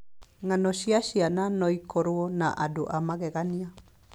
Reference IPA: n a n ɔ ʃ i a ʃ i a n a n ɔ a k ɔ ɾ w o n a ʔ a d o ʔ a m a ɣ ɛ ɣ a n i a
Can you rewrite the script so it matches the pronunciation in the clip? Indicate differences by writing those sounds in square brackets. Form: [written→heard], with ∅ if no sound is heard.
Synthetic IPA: [n→ŋ] a n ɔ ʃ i a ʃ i a n a n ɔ [a→i] k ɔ ɾ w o n a ʔ a d o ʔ a m a ɣ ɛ ɣ a n i a